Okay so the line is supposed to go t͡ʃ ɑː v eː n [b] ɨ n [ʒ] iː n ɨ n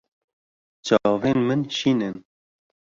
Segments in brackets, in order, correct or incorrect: incorrect, incorrect

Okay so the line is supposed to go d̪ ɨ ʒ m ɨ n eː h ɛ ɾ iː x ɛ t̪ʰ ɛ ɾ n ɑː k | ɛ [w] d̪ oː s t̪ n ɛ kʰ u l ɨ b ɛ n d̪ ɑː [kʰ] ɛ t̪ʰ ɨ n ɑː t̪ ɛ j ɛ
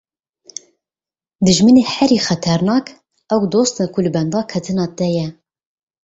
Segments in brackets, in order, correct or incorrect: correct, correct

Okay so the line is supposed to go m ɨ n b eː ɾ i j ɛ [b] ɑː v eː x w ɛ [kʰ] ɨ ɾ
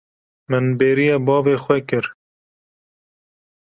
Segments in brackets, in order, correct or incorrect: correct, incorrect

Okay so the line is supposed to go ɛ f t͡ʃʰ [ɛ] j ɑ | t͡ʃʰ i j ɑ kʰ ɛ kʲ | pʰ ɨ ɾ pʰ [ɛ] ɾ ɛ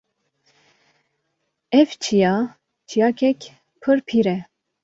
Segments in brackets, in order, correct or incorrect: incorrect, incorrect

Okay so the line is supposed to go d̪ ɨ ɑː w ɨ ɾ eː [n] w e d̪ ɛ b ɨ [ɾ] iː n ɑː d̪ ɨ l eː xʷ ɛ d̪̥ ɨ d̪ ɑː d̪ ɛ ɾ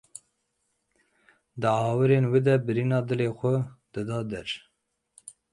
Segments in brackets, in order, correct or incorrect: correct, correct

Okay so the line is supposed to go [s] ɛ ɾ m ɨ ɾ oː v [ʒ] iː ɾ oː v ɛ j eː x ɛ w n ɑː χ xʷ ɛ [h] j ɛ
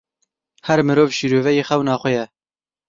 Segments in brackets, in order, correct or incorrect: incorrect, incorrect, incorrect

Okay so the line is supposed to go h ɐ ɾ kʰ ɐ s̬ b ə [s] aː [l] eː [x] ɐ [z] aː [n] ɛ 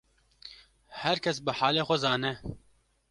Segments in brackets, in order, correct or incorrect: incorrect, correct, correct, correct, correct

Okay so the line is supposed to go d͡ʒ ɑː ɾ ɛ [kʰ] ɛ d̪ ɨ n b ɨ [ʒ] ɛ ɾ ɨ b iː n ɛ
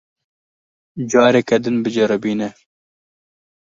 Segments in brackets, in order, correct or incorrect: incorrect, incorrect

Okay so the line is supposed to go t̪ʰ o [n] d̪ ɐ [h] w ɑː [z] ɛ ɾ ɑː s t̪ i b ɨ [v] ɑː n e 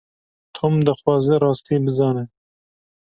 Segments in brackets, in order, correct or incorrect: incorrect, incorrect, correct, incorrect

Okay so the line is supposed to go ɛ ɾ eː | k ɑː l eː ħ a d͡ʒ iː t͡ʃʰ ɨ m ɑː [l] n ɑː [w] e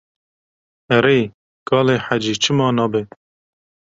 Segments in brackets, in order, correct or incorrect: incorrect, incorrect

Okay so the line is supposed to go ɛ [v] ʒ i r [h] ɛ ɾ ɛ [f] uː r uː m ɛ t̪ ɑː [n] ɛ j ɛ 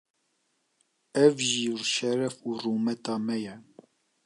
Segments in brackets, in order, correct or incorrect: correct, incorrect, correct, incorrect

